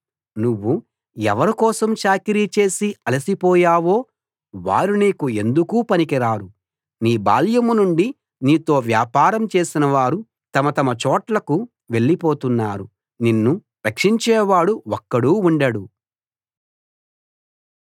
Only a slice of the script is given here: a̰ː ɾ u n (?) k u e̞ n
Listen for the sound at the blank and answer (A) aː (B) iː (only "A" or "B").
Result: B